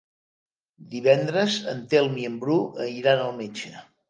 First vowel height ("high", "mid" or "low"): high